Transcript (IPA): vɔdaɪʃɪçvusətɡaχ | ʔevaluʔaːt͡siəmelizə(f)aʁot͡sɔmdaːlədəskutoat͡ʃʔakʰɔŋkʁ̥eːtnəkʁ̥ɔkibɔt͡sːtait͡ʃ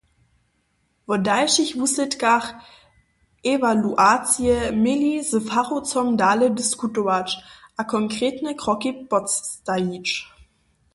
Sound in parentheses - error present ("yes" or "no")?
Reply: no